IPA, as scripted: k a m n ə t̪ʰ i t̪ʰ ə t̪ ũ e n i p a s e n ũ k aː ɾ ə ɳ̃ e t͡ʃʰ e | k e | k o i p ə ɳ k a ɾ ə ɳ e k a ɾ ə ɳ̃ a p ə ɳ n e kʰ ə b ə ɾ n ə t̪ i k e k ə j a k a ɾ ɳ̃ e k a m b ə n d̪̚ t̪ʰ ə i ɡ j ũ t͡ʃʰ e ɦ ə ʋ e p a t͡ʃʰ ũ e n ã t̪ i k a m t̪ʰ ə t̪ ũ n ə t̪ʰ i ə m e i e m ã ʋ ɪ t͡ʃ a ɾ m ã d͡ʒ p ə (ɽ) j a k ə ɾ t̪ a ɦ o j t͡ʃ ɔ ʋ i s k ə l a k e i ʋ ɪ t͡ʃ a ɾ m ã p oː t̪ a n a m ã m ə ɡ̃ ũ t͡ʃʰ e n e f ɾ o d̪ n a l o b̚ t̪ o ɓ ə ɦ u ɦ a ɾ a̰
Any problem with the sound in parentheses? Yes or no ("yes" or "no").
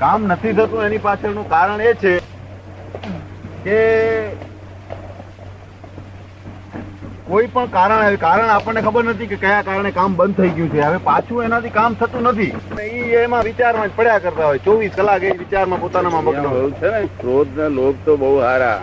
no